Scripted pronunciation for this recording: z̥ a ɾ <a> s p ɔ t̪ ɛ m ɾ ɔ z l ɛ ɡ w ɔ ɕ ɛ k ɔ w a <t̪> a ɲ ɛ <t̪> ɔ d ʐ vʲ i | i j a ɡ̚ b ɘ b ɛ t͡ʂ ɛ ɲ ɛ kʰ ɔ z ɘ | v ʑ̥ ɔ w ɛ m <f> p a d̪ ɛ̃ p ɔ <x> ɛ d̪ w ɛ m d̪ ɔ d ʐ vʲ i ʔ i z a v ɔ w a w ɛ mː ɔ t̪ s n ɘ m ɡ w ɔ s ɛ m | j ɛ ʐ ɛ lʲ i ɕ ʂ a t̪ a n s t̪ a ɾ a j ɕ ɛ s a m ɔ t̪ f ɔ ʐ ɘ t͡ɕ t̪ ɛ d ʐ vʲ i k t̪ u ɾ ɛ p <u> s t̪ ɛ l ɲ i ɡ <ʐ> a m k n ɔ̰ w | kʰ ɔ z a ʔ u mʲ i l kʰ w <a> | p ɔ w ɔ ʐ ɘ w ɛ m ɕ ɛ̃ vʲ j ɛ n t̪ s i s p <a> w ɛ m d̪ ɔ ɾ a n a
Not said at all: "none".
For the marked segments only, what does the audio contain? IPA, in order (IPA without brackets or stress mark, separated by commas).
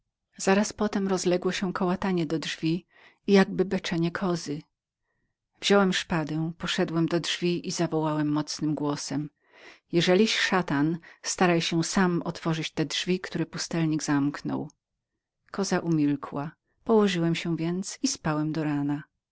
a, t̪, d̪, ʂ, ʂ, u, z, a, a